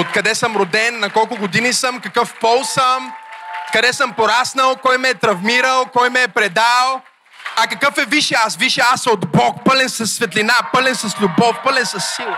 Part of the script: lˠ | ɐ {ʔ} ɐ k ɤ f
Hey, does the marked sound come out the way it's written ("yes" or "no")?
no